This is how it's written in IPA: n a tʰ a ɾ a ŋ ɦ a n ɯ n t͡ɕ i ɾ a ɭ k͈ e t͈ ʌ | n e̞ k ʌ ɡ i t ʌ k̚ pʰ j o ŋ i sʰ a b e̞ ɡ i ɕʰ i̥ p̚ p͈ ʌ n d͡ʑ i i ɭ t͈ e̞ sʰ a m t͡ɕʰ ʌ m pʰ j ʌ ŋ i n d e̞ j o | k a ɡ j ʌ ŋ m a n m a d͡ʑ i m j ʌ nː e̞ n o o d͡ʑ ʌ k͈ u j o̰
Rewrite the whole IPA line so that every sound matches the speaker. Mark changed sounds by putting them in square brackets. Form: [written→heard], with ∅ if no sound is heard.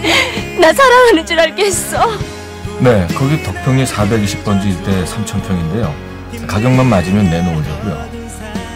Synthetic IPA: n a [tʰ→sʰ] a ɾ a ŋ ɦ a n ɯ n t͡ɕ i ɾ a ɭ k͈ e [t͈→s͈] ʌ | n e̞ k ʌ ɡ i t ʌ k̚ pʰ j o ŋ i sʰ a b e̞ ɡ i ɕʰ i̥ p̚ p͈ ʌ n d͡ʑ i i ɭ t͈ e̞ sʰ a m t͡ɕʰ ʌ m pʰ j ʌ ŋ i n d e̞ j o | k a ɡ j ʌ ŋ m a n m a d͡ʑ i m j ʌ nː e̞ n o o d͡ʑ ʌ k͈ u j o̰